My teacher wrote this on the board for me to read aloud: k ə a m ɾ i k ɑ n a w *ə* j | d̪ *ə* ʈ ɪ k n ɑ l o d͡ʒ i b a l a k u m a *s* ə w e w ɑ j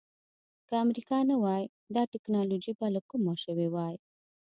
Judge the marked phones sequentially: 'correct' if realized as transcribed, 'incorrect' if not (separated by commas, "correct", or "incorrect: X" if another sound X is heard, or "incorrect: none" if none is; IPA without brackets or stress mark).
incorrect: ɑ, incorrect: ɑ, incorrect: ʃ